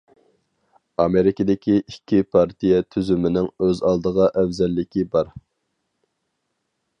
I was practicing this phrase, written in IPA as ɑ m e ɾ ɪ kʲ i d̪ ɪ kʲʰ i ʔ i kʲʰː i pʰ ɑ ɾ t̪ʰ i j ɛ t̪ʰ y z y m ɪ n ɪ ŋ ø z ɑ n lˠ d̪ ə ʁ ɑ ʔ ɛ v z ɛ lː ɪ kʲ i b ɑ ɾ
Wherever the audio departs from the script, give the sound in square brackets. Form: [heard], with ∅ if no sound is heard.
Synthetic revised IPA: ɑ m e ɾ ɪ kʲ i d̪ ɪ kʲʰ i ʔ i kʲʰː i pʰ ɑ ɾ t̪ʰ i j ɛ t̪ʰ y z y m ɪ n ɪ ŋ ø z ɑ [∅] lˠ d̪ ə ʁ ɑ ʔ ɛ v z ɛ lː ɪ kʲ i b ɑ ɾ